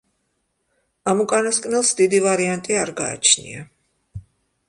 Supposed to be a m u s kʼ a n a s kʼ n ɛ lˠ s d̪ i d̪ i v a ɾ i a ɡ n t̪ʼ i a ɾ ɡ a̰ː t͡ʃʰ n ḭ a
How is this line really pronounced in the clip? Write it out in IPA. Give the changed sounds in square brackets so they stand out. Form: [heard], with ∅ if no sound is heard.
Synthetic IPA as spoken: a m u [∅] kʼ a n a s kʼ n ɛ lˠ s d̪ i d̪ i v a ɾ i a [∅] n t̪ʼ i a ɾ ɡ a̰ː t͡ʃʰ n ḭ a